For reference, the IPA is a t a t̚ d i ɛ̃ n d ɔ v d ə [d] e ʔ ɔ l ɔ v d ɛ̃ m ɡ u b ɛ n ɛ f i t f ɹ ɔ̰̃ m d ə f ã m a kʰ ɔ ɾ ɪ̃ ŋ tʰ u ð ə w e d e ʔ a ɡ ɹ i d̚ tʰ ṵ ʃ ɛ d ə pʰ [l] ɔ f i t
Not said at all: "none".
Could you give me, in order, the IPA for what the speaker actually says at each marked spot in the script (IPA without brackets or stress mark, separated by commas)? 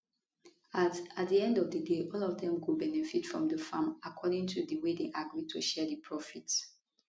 d, ɹ